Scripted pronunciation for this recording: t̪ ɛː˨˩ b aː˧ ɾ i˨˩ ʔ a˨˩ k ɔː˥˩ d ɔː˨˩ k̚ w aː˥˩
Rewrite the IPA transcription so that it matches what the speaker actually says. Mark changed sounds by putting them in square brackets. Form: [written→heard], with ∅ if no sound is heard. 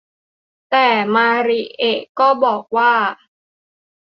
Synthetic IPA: t̪ ɛː˨˩ [b→m] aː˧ ɾ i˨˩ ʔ [a˨˩→e˨˩] k ɔː˥˩ [d→b] ɔː˨˩ k̚ w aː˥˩

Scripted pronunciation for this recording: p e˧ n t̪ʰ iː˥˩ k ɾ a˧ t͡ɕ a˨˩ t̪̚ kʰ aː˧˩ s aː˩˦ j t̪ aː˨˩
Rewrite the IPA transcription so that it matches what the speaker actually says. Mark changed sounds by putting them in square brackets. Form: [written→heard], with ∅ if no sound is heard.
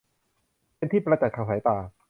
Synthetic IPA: p e˧ n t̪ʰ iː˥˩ [k→p] ɾ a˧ t͡ɕ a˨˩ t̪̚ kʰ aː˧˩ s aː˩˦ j t̪ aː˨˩

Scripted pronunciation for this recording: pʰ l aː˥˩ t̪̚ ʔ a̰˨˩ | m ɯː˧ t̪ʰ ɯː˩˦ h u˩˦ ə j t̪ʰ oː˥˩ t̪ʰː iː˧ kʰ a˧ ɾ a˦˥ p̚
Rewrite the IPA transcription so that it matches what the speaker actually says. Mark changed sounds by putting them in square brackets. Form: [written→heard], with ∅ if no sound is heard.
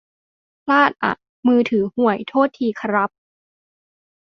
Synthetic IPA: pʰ l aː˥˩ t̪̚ ʔ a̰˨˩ | m ɯː˧ t̪ʰ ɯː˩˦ h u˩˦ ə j t̪ʰ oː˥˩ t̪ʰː iː˧ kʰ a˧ ɾ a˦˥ p̚

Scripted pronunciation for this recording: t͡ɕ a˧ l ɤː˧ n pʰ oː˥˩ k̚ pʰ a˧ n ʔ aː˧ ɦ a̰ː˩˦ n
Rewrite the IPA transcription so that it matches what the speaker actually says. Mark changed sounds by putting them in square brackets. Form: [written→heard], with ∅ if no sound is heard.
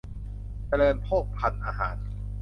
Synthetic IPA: t͡ɕ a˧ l ɤː˧ n pʰ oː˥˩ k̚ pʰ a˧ n ʔ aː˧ ɦ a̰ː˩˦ n

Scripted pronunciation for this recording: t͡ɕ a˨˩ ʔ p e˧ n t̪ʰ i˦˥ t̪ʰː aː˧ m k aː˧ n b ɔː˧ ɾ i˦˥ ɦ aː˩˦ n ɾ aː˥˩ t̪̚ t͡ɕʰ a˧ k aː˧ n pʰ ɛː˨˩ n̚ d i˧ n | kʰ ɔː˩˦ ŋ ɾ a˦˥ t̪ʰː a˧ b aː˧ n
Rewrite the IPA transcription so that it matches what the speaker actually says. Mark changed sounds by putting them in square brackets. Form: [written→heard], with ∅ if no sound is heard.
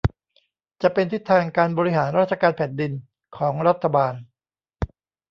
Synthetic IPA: t͡ɕ a˨˩ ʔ p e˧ n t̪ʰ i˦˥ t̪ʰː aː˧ [m→ŋ] k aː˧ n b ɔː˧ ɾ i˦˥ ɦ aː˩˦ n ɾ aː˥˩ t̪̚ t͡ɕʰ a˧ k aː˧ n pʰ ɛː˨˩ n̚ d i˧ n | kʰ ɔː˩˦ ŋ ɾ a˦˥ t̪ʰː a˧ b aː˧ n

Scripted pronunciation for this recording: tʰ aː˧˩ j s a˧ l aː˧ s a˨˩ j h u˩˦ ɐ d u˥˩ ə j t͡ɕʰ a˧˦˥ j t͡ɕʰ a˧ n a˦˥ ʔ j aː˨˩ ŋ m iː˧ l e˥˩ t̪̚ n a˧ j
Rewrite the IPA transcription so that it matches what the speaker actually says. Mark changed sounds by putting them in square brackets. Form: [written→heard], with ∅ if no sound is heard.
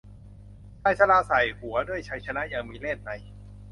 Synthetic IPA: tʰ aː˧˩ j s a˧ l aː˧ s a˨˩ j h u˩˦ ɐ d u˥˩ ə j t͡ɕʰ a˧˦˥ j t͡ɕʰ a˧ n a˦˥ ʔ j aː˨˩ ŋ m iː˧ l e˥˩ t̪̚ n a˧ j

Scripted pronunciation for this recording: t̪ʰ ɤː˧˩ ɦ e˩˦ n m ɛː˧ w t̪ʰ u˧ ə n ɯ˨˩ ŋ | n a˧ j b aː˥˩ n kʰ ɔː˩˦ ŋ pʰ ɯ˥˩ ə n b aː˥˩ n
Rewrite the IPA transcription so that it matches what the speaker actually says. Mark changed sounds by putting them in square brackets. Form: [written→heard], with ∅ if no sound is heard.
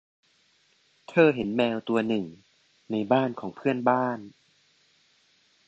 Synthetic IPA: t̪ʰ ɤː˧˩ ɦ e˩˦ n m ɛː˧ w [t̪ʰ→t̪] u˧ [ə→ɐ] n ɯ˨˩ ŋ | n a˧ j b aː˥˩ n kʰ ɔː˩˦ ŋ pʰ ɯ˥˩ ə n b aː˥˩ n

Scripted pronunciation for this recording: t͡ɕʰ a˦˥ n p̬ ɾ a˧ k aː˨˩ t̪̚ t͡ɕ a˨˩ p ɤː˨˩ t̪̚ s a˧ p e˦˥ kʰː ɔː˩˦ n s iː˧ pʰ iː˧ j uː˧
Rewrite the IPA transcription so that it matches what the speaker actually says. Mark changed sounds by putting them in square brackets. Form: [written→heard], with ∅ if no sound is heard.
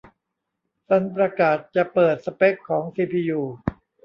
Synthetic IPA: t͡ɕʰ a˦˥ n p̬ ɾ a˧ k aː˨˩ t̪̚ t͡ɕ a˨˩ p ɤː˨˩ t̪̚ s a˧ p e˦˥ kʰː ɔː˩˦ [n→ŋ] s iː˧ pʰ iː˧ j uː˧

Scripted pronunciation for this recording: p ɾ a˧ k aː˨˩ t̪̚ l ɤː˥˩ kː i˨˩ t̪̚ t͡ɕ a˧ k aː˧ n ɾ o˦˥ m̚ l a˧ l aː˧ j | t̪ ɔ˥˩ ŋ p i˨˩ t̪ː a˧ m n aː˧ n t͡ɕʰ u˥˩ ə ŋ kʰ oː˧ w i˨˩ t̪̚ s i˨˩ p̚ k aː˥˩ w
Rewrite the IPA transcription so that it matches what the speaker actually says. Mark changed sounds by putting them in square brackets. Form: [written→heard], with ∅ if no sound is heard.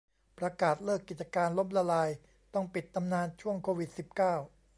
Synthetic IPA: p ɾ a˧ k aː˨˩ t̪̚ l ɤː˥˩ kː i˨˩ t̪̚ t͡ɕ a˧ k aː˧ n [ɾ→l] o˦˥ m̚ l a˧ l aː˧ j | t̪ ɔ˥˩ ŋ p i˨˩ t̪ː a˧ m n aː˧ n t͡ɕʰ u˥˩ ə ŋ kʰ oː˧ w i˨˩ t̪̚ s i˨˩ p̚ k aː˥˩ w

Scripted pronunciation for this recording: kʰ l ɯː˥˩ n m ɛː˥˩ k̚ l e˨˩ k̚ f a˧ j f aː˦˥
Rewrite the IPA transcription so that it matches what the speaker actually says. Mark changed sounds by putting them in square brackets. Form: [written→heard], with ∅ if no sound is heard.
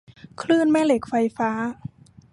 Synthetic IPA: kʰ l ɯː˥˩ n m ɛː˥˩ [k̚→∅] l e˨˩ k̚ f a˧ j f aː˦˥

